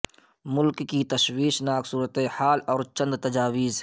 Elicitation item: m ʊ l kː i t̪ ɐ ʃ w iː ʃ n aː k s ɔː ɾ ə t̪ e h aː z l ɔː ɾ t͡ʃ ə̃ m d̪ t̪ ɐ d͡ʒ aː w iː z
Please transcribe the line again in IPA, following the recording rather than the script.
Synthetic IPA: m ʊ l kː i t̪ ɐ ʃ w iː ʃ n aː k s uː ɾ ə t̪ e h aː l ɔː ɾ t͡ʃ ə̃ n d̪ t̪ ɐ d͡ʒ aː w iː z